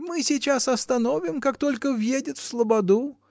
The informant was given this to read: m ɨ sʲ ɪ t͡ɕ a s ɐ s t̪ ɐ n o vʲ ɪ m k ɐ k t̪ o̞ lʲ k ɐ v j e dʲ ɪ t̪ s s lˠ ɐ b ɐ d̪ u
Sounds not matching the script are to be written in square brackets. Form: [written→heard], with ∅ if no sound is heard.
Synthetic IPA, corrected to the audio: m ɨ sʲ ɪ t͡ɕ a s ɐ s t̪ ɐ n o vʲ ɪ m k [ɐ→a] k t̪ o̞ lʲ k [ɐ→ə] v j e dʲ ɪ t̪ [s→f] s lˠ [ɐ→ə] b ɐ d̪ u